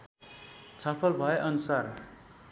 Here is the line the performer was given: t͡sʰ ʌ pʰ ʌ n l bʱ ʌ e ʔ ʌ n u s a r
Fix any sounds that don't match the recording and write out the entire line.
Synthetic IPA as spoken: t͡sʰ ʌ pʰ ʌ l bʱ ʌ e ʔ ʌ n u s a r

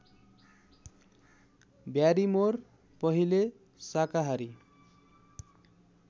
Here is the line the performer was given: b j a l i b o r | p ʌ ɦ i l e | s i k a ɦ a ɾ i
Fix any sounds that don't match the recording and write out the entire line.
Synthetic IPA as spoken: b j a ɾ i m o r | p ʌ ɦ i l e | s a k a ɦ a ɾ i

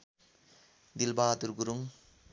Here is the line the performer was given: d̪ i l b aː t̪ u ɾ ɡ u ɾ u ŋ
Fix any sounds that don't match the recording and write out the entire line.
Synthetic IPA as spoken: d̪ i l b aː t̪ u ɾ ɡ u ɾ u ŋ

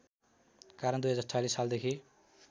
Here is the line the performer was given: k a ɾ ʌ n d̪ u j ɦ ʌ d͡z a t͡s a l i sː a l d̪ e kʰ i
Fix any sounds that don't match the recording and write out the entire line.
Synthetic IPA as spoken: k a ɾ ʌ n d̪ u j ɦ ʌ d͡z a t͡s a l i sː a l d̪ e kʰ i

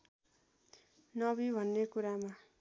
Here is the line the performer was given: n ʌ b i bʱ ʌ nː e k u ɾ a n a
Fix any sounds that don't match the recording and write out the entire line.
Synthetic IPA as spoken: n ʌ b i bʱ ʌ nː e k u ɾ a m a

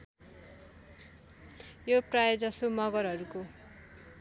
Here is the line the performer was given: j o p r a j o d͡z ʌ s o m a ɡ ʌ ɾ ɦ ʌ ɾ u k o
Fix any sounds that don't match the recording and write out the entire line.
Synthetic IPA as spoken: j o p r a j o d͡z ʌ s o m ʌ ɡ ʌ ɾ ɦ ʌ ɾ u k o

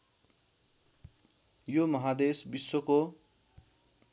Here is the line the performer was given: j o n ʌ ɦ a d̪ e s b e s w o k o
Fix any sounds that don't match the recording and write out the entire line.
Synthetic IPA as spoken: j o m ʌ ɦ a d̪ e s b i s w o k o

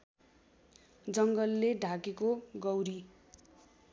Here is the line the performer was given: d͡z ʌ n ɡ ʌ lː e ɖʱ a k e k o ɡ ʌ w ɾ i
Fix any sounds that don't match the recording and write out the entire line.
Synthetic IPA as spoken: d͡z ʌ ŋ ɡ ʌ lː e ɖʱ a k e k o ɡ ʌ w ɾ i

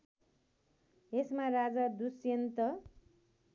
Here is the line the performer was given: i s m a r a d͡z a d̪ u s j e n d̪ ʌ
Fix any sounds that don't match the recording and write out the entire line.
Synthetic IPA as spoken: e s m a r a d͡z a d̪ u s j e n t̪ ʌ

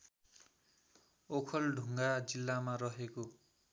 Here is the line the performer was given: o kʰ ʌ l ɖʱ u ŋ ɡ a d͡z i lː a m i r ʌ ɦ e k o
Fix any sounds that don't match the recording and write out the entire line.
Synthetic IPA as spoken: o kʰ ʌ l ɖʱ u ŋ ɡ a d͡z i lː a m a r ʌ ɦ e k o

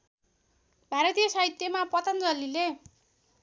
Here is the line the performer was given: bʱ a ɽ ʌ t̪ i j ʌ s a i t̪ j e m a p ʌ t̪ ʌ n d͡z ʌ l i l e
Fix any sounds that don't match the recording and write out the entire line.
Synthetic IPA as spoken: bʱ a ɾ ʌ t̪ i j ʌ s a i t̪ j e m a p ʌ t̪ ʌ n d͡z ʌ l i l e

